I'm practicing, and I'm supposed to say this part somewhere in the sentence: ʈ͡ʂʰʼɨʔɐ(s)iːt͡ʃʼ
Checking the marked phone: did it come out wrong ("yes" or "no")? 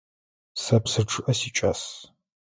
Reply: no